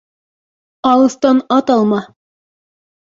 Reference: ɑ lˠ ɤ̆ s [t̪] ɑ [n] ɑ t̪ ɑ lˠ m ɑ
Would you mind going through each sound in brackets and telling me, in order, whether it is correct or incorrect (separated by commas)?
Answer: correct, correct